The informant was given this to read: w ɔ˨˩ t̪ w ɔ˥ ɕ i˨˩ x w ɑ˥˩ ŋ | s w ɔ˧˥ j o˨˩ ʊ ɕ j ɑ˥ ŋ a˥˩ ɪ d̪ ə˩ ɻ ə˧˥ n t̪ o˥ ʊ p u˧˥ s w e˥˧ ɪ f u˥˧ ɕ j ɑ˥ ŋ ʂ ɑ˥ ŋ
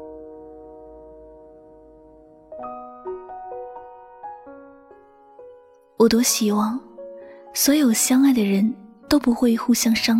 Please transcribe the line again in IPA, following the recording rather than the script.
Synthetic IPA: w ɔ˨˩ t̪ w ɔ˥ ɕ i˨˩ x w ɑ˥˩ ŋ | s w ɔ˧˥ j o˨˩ ʊ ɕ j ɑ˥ ŋ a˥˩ ɪ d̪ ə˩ ɻ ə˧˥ n t̪ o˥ ʊ p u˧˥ x w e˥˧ ɪ x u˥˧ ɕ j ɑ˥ ŋ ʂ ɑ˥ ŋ